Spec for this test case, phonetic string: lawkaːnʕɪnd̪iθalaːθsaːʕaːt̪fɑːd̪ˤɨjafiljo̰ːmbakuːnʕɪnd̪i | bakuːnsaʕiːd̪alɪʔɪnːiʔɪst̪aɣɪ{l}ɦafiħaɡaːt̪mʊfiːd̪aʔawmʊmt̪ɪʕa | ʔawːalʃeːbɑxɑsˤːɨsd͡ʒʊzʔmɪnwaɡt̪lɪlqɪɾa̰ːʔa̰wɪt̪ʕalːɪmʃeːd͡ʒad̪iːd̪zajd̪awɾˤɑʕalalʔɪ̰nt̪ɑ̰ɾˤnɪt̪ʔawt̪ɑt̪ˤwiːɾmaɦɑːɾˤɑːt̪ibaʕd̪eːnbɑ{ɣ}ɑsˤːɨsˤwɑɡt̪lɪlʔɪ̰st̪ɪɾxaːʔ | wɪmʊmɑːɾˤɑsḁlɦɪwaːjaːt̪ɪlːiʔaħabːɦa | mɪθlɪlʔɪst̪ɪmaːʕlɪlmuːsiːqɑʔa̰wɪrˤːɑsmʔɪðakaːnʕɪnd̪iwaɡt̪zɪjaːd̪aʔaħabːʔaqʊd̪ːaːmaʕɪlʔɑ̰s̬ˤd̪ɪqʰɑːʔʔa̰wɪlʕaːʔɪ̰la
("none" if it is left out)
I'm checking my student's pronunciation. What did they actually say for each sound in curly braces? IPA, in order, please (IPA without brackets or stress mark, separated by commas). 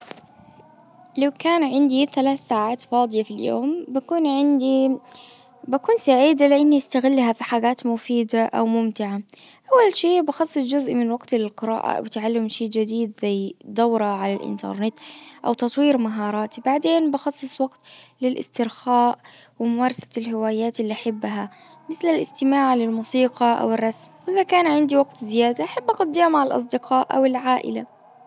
lː, x